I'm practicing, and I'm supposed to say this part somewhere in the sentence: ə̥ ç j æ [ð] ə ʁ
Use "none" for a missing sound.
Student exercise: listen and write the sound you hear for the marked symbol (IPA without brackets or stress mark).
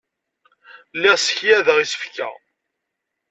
ð